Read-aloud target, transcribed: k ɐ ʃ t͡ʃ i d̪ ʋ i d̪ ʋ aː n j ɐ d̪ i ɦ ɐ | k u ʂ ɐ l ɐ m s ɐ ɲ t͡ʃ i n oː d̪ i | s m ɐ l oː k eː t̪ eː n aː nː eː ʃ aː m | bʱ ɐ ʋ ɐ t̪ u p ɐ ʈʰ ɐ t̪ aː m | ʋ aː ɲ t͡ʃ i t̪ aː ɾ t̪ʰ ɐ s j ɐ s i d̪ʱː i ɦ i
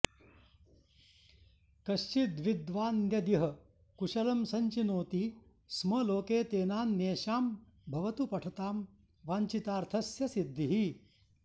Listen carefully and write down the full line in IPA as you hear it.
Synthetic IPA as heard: k ɐ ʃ t͡ʃ i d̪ ʋ i d̪ ʋ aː n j ɐ d̪ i ɦ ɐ | k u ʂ ɐ l ɐ m s ɐ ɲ t͡ʃ i n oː t̪ i | s m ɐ l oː k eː t̪ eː n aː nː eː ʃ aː m | bʱ ɐ ʋ ɐ t̪ u p ɐ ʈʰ ɐ t̪ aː m | ʋ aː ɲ t͡ʃ i t̪ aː ɾ t̪ʰ ɐ s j ɐ s i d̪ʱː i ɦ i